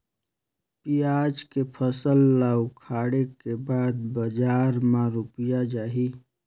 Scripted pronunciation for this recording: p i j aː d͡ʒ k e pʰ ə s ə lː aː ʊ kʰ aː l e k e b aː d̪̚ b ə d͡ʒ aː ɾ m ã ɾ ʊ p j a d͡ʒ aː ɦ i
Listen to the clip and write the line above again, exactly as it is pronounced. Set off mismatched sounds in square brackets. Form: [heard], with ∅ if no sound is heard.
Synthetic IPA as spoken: p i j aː d͡ʒ k e pʰ ə s ə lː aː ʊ kʰ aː [ɽ] e k e b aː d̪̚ b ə d͡ʒ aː ɾ m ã ɾ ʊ p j a d͡ʒ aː ɦ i